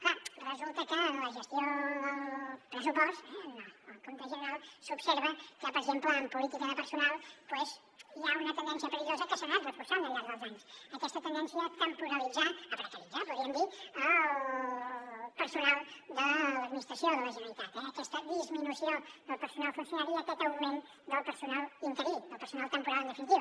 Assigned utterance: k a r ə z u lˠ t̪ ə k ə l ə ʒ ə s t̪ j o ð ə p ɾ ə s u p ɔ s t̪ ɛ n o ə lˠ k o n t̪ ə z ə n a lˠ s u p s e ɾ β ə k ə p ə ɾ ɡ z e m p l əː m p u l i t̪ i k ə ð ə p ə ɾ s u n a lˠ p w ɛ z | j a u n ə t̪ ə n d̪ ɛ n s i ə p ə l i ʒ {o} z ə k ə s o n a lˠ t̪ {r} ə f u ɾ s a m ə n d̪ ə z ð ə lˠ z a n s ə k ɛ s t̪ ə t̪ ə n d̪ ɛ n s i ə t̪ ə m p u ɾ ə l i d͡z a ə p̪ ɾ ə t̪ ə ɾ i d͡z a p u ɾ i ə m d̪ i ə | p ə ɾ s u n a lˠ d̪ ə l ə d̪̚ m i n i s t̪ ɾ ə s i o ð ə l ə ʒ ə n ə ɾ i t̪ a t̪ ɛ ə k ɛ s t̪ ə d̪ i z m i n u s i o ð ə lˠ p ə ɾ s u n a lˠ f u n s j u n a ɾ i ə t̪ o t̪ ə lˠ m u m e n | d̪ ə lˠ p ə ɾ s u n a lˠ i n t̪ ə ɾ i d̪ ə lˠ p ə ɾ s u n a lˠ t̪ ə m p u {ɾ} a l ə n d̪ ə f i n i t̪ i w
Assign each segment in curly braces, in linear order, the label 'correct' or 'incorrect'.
correct, correct, correct

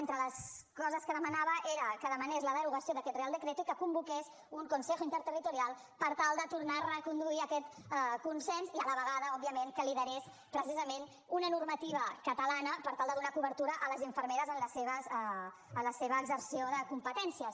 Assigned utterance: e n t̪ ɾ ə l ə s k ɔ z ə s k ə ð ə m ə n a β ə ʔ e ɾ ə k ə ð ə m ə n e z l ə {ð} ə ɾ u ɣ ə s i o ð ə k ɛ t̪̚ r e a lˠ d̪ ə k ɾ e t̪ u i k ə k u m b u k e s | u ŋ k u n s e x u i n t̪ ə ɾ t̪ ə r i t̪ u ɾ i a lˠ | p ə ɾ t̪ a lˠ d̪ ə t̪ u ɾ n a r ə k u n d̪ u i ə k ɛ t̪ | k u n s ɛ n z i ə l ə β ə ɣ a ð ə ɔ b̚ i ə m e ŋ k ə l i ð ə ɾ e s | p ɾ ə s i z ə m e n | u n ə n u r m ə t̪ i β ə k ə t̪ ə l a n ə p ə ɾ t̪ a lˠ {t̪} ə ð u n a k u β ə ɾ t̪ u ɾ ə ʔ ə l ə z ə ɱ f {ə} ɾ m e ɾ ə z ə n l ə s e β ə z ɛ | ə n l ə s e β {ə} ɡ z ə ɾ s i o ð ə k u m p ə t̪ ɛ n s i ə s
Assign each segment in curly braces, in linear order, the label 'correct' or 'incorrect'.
correct, incorrect: d̪, correct, incorrect: əː

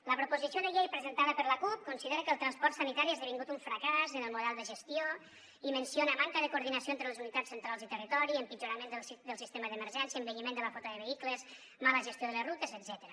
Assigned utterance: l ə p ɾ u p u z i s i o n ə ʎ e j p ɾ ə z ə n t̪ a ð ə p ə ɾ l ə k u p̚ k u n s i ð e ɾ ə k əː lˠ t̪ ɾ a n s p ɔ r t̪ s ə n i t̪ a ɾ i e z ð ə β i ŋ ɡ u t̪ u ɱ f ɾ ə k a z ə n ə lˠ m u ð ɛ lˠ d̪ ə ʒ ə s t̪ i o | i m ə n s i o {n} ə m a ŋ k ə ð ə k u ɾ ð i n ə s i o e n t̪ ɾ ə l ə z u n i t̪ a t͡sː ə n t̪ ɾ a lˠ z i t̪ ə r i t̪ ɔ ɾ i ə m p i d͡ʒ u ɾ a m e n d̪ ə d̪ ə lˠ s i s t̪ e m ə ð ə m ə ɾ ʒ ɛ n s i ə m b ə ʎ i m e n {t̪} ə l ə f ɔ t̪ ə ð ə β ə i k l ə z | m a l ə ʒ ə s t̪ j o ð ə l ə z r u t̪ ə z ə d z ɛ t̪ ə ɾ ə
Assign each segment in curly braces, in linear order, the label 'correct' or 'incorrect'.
correct, incorrect: d̪

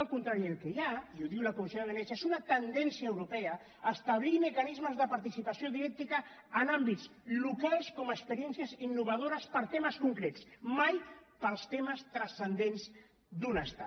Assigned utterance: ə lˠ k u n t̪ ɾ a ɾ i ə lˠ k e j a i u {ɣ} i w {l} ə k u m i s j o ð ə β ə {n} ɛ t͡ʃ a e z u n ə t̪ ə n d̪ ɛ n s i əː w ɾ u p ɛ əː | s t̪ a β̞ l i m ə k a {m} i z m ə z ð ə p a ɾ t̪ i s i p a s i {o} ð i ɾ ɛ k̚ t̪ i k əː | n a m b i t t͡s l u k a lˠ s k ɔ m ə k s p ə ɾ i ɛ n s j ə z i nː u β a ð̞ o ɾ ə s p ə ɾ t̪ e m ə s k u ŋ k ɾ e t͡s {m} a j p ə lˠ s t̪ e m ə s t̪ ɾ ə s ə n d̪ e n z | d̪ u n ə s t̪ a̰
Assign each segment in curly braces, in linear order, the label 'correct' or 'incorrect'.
incorrect: ð, correct, correct, incorrect: n, correct, correct

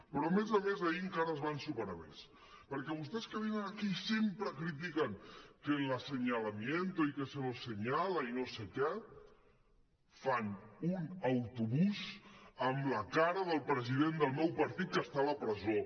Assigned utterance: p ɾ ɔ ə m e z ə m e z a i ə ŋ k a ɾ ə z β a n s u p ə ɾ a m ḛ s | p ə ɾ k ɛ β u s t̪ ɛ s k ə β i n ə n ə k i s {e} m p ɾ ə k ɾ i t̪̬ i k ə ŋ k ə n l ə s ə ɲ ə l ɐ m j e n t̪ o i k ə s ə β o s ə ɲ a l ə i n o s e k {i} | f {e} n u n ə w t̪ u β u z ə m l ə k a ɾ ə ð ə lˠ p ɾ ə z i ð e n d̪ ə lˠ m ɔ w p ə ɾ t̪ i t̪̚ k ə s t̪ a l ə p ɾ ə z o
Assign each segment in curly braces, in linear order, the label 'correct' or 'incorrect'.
correct, incorrect: ɛ, incorrect: a

